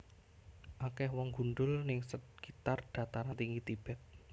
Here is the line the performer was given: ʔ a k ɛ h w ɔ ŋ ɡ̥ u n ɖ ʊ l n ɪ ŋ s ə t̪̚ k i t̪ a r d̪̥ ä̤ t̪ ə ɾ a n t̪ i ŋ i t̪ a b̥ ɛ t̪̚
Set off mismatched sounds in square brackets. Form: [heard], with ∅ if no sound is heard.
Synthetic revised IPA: ʔ a k ɛ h w ɔ ŋ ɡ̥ u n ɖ ʊ l n ɪ ŋ s ə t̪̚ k i t̪ a r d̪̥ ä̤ t̪ [a] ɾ a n t̪ i ŋ i t̪ [i] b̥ ɛ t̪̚

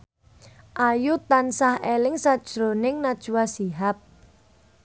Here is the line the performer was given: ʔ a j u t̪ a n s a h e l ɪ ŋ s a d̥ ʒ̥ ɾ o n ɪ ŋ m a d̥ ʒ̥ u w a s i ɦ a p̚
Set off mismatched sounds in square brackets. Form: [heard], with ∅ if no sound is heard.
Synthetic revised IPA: ʔ a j u t̪ a n s a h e l ɪ ŋ s a d̥ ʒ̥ ɾ o n ɪ ŋ [n] a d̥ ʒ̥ u w a s i ɦ a p̚

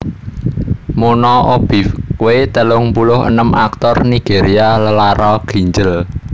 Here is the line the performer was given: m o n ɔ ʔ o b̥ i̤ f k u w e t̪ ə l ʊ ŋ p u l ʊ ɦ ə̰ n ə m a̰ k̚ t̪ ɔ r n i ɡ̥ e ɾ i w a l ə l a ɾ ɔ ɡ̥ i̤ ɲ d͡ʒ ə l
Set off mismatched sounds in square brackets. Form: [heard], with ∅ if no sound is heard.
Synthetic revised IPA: m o n ɔ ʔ o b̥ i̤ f k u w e t̪ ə l ʊ ŋ p u l ʊ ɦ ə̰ n ə m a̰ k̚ t̪ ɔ r n i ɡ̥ e ɾ i [∅] a l ə l a ɾ ɔ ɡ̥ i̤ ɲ d͡ʒ ə l

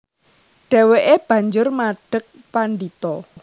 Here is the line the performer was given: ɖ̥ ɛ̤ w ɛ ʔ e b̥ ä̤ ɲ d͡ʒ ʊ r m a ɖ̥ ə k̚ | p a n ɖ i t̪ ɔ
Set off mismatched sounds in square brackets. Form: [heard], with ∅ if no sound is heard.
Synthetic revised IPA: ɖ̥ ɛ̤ w [e] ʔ e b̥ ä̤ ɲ d͡ʒ ʊ r m a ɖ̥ ə k̚ | p a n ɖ i t̪ ɔ

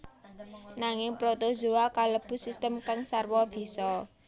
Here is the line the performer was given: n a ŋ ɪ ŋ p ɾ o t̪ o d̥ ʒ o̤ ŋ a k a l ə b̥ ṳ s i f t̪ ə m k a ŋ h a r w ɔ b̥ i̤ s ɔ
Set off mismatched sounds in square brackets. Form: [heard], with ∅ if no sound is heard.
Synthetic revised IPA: n a ŋ ɪ ŋ p ɾ o t̪ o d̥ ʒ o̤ [∅] a k a l ə b̥ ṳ s i [s] t̪ ə m k a ŋ [s] a r w ɔ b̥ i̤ s ɔ

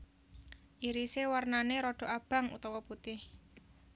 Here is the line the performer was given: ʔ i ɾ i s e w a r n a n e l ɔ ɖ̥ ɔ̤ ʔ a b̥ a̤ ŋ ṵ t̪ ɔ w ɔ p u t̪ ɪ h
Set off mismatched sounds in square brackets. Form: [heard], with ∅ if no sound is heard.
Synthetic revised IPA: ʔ i ɾ i s e w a r n a n e [ɾ] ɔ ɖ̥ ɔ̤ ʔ a b̥ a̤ ŋ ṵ t̪ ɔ w ɔ p u t̪ ɪ h

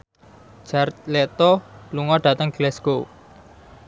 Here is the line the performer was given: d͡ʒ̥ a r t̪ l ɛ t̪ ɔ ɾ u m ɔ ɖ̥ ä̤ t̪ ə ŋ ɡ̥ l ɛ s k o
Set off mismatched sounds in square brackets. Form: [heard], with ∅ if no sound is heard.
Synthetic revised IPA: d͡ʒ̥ a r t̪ l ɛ t̪ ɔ [l] u [ŋ] ɔ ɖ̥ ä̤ t̪ ə ŋ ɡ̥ l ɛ s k o

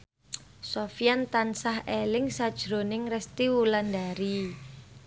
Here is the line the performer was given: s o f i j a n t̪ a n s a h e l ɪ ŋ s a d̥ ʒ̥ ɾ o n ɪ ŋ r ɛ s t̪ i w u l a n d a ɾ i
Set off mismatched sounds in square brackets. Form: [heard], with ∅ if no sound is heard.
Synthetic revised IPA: s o f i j a n t̪ a n s a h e l ɪ ŋ s a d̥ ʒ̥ ɾ o n ɪ ŋ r ɛ s t̪ i w u l a n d a ɾ i

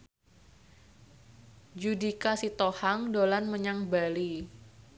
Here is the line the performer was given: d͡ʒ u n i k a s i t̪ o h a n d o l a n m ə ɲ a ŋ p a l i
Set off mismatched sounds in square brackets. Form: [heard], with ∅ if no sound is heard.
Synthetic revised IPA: d͡ʒ u [d] i k a s i t̪ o h a [ŋ] d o l a n m ə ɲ a ŋ [b] a l i

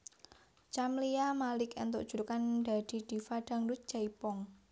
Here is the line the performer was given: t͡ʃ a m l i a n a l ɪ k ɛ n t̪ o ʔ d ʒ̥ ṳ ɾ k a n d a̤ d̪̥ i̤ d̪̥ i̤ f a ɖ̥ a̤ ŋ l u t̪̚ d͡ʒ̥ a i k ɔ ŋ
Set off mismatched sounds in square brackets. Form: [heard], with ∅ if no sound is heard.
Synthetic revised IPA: t͡ʃ a m l i a [m] a l ɪ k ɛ n t̪ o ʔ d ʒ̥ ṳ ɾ k a n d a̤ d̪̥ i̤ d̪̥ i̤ f a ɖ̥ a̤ ŋ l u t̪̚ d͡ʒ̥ a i [p] ɔ ŋ

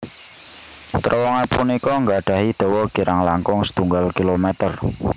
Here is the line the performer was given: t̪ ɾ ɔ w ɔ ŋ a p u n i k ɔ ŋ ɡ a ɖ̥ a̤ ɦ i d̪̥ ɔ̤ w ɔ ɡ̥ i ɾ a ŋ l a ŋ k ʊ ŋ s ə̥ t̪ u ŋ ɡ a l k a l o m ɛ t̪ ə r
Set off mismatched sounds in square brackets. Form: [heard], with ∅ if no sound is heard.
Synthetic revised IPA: t̪ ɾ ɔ w ɔ ŋ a p u n i k ɔ ŋ ɡ a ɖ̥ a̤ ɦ i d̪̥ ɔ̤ w ɔ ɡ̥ i ɾ a ŋ l a ŋ k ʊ ŋ s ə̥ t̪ u ŋ ɡ a l k [i] l o m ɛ t̪ ə r

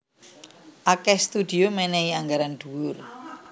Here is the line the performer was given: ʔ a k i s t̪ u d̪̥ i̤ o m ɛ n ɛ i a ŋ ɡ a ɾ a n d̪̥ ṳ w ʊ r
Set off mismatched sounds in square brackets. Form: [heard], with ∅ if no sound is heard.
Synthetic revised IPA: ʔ a k [ɛ] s t̪ u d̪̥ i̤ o m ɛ n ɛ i a ŋ ɡ a ɾ a n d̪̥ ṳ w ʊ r

